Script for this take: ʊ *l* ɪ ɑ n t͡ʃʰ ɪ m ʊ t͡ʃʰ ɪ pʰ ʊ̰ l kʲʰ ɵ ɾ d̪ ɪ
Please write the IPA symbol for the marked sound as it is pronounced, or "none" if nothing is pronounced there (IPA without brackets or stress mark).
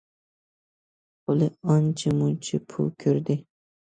l